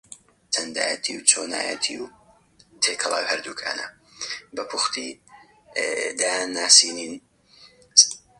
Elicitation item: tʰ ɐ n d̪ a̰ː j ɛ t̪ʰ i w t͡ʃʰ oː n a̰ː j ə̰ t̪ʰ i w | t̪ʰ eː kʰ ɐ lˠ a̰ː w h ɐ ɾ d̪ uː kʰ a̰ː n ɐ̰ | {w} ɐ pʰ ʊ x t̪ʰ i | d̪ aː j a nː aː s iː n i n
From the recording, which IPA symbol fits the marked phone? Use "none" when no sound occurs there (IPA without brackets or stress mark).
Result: b